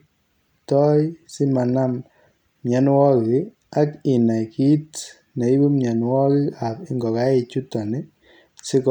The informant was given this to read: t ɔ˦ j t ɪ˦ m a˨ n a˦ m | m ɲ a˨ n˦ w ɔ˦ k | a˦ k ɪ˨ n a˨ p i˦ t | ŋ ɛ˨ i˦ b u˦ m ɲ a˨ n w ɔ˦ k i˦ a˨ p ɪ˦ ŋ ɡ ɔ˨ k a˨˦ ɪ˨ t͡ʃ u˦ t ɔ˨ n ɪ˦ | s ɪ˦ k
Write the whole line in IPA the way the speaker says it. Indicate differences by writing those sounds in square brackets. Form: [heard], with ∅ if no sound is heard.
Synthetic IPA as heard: t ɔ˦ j [s] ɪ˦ m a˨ n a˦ m | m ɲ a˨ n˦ w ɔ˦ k | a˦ k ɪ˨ n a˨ [k] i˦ t | [n] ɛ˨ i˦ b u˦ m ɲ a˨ n w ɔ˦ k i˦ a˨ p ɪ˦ ŋ ɡ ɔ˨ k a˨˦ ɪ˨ t͡ʃ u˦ t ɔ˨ n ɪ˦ | s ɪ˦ k